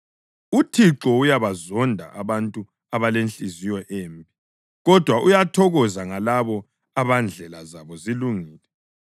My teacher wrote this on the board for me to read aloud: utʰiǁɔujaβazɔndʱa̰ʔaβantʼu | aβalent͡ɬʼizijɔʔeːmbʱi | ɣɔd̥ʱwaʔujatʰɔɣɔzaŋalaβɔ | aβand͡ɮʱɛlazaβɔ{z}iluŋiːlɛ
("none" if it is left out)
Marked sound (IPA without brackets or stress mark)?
z